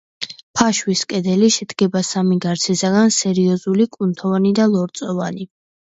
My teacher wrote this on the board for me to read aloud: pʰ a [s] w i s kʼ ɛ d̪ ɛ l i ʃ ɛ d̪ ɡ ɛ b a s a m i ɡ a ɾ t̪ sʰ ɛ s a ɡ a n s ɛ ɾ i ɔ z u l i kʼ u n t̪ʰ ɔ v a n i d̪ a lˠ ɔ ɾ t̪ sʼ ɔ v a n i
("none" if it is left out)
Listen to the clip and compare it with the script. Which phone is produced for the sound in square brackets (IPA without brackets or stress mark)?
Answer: ʃ